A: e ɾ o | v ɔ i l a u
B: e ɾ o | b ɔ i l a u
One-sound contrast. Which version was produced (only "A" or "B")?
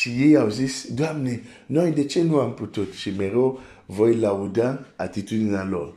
A